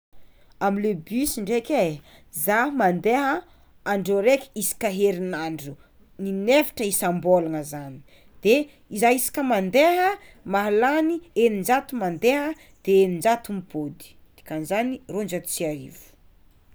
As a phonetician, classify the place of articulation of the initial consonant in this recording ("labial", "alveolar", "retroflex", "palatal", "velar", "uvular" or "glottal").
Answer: labial